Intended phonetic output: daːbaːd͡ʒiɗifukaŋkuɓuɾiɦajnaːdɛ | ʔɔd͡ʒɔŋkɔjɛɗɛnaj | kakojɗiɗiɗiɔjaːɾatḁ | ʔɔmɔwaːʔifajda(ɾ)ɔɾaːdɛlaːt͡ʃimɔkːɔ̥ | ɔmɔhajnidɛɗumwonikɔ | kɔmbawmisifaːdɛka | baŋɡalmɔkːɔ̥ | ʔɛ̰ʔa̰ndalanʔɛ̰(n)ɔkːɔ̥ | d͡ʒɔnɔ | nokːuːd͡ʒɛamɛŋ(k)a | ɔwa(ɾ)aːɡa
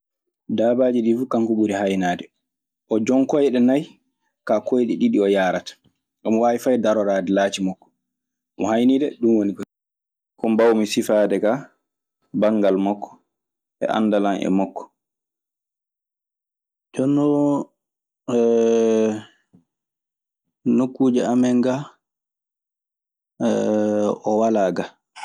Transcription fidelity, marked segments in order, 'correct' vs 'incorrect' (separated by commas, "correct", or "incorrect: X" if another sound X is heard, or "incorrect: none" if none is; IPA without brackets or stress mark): correct, incorrect: m, incorrect: ɡ, incorrect: l